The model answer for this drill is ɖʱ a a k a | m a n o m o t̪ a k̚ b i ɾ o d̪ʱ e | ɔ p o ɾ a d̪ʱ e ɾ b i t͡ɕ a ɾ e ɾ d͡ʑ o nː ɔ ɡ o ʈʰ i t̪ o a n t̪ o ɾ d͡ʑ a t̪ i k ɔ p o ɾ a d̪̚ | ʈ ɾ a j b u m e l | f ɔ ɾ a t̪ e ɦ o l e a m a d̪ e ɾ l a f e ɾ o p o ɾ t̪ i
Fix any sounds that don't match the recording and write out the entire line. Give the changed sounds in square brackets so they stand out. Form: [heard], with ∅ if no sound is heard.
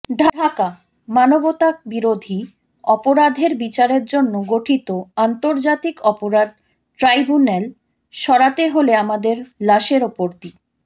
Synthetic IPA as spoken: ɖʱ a a k a | m a n o [b] o t̪ a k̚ b i ɾ o d̪ʱ [i] | ɔ p o ɾ a d̪ʱ e ɾ b i t͡ɕ a ɾ e ɾ d͡ʑ o nː [o] ɡ o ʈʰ i t̪ o a n t̪ o ɾ d͡ʑ a t̪ i k ɔ p o ɾ a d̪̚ | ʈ ɾ a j b u [n] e l | [ʃ] ɔ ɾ a t̪ e ɦ o l e a m a d̪ e ɾ l a [ʃ] e ɾ o p o ɾ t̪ i

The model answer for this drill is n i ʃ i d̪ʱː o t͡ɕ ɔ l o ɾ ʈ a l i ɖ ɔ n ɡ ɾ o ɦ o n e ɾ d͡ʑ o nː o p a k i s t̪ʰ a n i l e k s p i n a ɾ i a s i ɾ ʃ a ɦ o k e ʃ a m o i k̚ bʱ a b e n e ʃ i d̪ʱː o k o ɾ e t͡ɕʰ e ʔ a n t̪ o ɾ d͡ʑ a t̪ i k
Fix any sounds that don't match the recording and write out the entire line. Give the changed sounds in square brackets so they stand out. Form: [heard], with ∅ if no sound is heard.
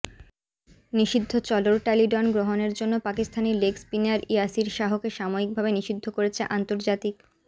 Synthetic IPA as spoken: n i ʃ i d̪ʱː o t͡ɕ ɔ l o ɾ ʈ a l i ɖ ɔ n ɡ ɾ o ɦ o n e ɾ d͡ʑ o nː o p a k i s t̪ʰ a n i l e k s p i n a ɾ i a s i ɾ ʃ a ɦ o k e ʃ a m o i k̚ bʱ a b e n [i] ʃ i d̪ʱː o k o ɾ e t͡ɕʰ e ʔ a n t̪ o ɾ d͡ʑ a t̪ i k

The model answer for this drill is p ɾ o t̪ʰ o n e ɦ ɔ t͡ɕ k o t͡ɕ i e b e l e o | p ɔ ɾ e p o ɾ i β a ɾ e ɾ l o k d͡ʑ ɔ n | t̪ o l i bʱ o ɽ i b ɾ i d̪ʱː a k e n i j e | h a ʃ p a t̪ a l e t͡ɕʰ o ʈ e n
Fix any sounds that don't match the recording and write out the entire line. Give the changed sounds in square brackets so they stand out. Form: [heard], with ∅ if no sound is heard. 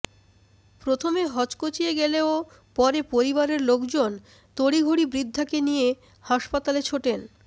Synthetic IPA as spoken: p ɾ o t̪ʰ o [m] e ɦ ɔ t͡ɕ k o t͡ɕ i e [ɡ] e l e o | p ɔ ɾ e p o ɾ i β a ɾ e ɾ l o k d͡ʑ [o] n | t̪ o [ɽ] i [ɡʱ] o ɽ i b ɾ i d̪ʱː a k e n i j e | h a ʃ p a t̪ a l e t͡ɕʰ o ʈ e n

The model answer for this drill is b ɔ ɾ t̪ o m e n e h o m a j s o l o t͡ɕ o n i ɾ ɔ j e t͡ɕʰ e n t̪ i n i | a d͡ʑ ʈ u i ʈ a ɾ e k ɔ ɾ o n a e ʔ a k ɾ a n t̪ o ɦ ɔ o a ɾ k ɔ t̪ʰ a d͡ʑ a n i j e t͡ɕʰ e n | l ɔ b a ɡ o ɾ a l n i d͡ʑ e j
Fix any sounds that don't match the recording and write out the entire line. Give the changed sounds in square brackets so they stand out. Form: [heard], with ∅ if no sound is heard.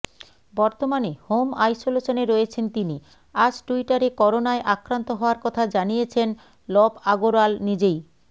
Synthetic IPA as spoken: b ɔ ɾ t̪ o m [a] n e h o m a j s o l o t͡ɕ o n [e] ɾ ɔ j e t͡ɕʰ e n t̪ i n i | a d͡ʑ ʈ u i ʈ a ɾ e k ɔ ɾ o n a e ʔ a k ɾ a n t̪ o ɦ ɔ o a ɾ k ɔ t̪ʰ a d͡ʑ a n i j e t͡ɕʰ e n | l ɔ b a ɡ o ɾ a l n i d͡ʑ e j

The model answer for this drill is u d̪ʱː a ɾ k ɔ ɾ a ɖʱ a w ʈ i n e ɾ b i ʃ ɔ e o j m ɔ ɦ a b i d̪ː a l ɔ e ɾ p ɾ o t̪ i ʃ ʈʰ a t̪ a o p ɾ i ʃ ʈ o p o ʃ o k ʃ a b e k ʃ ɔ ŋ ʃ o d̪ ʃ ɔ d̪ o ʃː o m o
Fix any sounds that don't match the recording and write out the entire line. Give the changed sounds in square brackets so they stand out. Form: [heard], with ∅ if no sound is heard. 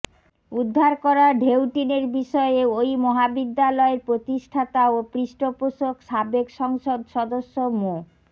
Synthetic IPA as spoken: u d̪ʱː a ɾ k ɔ ɾ a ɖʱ [e] w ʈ i n e ɾ b i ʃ ɔ e o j m ɔ ɦ a b i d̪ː a l ɔ e ɾ p ɾ o t̪ i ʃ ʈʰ a t̪ a o p ɾ i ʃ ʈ o p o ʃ o k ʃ a b e k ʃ ɔ ŋ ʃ o d̪ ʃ ɔ d̪ o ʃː o m o

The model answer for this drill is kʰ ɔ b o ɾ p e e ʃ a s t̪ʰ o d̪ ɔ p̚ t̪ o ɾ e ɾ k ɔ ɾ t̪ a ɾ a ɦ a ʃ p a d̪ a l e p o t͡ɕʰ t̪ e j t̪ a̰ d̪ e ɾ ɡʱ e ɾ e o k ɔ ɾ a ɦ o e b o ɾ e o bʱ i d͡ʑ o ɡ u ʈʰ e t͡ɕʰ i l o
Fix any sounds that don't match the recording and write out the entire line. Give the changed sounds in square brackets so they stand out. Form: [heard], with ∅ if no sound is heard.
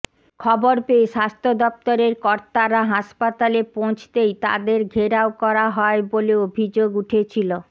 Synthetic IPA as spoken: kʰ ɔ b o ɾ p e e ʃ a s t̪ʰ o d̪ ɔ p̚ t̪ o ɾ e ɾ k ɔ ɾ t̪ a ɾ a ɦ a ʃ p a [t̪] a l e p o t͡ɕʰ t̪ e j t̪ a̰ d̪ e ɾ ɡʱ e ɾ [a] o k ɔ ɾ a ɦ [ɔ] e b o [l] e o bʱ i d͡ʑ o ɡ u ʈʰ e t͡ɕʰ i l o

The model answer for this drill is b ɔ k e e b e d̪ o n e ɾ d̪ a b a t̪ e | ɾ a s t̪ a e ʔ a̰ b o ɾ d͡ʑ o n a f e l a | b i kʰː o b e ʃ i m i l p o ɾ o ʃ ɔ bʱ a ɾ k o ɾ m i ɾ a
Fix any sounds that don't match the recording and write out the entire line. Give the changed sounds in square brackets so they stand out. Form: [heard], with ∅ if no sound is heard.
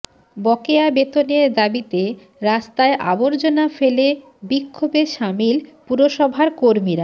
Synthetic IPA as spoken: b ɔ k e [a] b e [t̪] o n e ɾ d̪ a b [i] t̪ e | ɾ a s t̪ a e ʔ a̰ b o ɾ d͡ʑ o n a f e l [e] | b i kʰː o b e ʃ [a] m i l p [u] ɾ o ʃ ɔ bʱ a ɾ k o ɾ m i ɾ a

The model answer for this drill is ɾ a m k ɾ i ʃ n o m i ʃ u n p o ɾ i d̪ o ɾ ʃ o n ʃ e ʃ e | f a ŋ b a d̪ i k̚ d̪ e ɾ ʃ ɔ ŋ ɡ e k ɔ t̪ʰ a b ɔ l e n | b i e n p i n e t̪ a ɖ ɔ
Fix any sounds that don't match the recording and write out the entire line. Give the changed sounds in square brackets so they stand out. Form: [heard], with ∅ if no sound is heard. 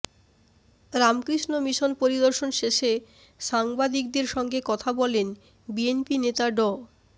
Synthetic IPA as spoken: ɾ a m k ɾ i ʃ n o m i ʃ [o] n p o ɾ i d̪ o ɾ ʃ o n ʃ e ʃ e | [ʃ] a ŋ b a d̪ i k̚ d̪ e ɾ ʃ ɔ ŋ ɡ e k ɔ t̪ʰ a b ɔ l e n | b i e n p i n e t̪ a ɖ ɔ

